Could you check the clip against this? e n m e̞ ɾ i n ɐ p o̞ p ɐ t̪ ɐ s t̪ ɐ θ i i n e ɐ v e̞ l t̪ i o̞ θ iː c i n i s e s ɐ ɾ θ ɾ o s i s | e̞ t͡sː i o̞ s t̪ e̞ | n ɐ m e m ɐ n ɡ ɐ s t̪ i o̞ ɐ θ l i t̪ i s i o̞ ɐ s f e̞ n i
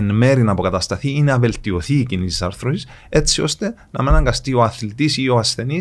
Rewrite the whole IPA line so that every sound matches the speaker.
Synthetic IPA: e n m e̞ ɾ i n ɐ p o̞ k ɐ t̪ ɐ s t̪ ɐ θ i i n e ɐ v e̞ l t̪ i o̞ θ iː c i n i s i s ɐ ɾ θ ɾ o s i s | e̞ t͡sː i o̞ s t̪ e̞ | n ɐ m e n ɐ ŋ ɡ ɐ s t̪ i o̞ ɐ θ l i t̪ i s i o̞ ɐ s θ e̞ n i